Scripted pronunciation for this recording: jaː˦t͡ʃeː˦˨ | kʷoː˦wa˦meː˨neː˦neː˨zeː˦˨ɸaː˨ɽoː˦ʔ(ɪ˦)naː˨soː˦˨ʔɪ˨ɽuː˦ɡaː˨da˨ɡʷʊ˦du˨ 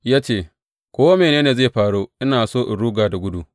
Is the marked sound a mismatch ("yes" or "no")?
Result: no